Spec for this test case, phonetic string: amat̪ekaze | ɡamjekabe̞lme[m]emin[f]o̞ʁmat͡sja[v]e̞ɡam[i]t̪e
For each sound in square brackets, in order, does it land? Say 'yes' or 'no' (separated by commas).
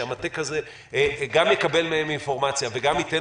no, yes, yes, yes